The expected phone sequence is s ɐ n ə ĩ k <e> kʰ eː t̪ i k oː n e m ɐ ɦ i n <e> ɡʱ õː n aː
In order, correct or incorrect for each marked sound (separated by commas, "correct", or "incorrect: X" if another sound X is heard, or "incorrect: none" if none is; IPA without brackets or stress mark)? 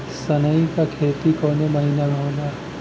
incorrect: a, incorrect: a